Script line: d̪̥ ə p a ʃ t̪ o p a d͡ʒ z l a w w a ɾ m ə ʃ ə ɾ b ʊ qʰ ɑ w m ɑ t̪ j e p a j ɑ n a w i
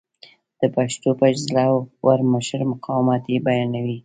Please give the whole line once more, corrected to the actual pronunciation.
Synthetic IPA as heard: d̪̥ ə p a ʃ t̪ o p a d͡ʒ z l a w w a ɾ m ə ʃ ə ɾ m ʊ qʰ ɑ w m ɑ t̪ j e b a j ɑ n a w i